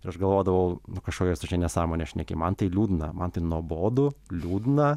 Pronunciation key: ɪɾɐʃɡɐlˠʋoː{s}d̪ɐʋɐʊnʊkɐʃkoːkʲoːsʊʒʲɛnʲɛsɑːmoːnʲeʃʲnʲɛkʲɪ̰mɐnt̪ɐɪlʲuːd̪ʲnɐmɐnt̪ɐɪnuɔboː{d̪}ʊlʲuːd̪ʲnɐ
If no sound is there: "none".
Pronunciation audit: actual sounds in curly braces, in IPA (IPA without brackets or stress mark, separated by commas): none, d̪